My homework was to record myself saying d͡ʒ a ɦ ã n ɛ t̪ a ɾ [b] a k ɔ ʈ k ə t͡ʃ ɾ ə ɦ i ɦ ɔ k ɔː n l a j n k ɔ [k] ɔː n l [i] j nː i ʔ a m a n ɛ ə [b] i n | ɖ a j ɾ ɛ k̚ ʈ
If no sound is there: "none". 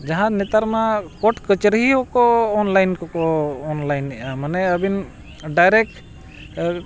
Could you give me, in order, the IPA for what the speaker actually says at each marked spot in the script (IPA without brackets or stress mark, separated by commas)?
m, k, a, b